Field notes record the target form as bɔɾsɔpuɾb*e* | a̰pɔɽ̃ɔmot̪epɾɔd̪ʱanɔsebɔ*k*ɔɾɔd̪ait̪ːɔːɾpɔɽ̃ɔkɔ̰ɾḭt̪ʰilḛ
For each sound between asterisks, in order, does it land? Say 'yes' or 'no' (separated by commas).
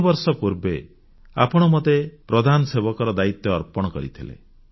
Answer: yes, yes